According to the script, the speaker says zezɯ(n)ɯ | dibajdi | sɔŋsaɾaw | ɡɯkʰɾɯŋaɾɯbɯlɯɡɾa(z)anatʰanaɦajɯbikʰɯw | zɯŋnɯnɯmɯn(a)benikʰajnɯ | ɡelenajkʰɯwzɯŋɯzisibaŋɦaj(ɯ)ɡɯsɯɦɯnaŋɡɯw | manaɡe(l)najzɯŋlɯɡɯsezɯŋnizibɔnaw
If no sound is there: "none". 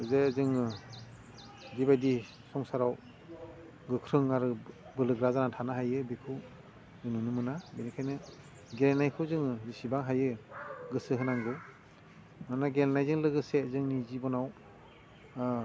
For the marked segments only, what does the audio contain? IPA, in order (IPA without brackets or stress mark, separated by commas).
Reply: ŋ, z, a, ɯ, l